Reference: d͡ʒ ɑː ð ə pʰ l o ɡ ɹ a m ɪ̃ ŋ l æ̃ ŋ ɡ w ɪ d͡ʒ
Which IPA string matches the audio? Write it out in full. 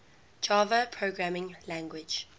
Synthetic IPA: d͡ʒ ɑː v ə pʰ ɹ o ɡ ɹ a m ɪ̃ ŋ l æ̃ ŋ ɡ w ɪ d͡ʒ